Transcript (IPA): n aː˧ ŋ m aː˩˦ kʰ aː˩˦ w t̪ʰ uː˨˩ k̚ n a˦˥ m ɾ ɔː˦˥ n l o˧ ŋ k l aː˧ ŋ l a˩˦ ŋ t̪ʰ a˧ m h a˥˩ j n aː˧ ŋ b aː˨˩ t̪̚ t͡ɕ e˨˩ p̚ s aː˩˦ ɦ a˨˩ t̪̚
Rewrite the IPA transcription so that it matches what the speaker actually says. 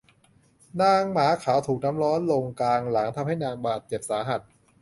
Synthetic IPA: n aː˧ ŋ m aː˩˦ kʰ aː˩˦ w t̪ʰ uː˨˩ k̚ n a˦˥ m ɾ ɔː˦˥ n l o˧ ŋ k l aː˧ ŋ l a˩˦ ŋ t̪ʰ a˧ m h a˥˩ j n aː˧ ŋ b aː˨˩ t̪̚ t͡ɕ e˨˩ p̚ s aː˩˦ ɦ a˨˩ t̪̚